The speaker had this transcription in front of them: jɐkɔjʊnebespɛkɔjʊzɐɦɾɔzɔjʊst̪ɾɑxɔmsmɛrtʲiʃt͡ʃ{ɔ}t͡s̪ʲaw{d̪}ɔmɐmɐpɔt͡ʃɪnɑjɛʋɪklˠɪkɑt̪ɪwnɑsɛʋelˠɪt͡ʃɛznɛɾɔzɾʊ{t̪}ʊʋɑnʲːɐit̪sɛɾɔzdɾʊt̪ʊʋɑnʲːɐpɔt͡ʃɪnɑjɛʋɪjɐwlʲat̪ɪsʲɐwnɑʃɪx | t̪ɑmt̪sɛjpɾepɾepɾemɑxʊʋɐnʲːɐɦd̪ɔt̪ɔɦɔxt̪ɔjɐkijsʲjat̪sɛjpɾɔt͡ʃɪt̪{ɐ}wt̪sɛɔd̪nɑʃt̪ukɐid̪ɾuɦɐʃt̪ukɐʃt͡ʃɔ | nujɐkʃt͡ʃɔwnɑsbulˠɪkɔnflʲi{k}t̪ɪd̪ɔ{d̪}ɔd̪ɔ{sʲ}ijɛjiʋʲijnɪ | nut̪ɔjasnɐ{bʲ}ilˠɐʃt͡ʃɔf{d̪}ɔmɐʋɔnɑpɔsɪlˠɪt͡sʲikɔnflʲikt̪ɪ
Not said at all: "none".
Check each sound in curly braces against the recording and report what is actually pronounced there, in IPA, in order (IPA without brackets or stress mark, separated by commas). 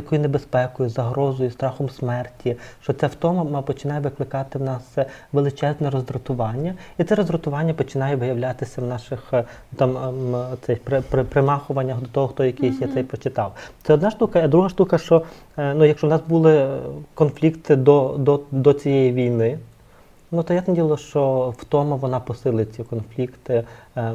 ɔ, t̪, t̪, ɑ, k, d̪, t͡sʲ, dʲ, t̪